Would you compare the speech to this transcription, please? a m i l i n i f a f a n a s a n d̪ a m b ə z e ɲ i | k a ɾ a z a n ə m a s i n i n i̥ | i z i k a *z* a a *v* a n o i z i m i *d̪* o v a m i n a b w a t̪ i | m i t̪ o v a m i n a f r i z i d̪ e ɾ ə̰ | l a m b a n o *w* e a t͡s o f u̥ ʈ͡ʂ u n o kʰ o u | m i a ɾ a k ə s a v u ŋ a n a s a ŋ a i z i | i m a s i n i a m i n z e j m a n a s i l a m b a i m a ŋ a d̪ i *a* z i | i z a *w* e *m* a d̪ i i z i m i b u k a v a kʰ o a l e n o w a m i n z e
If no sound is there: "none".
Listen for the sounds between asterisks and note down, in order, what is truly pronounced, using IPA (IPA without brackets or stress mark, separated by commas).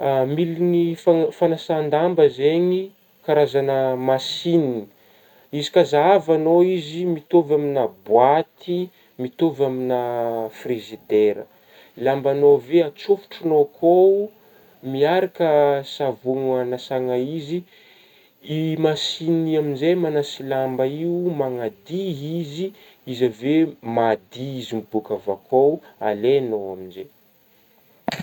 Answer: z, v, t̪, v, i, v, m